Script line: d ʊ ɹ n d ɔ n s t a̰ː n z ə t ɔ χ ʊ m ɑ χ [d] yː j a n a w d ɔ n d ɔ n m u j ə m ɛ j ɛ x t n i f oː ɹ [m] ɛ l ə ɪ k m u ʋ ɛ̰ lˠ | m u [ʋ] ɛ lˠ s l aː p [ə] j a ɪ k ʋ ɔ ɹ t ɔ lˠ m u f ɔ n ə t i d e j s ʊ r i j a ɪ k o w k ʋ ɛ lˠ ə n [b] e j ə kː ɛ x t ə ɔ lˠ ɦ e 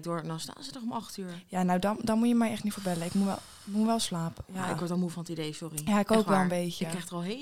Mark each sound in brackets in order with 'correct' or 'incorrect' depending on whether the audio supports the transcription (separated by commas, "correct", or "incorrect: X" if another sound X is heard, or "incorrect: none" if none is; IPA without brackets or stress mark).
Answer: incorrect: t, incorrect: b, correct, correct, correct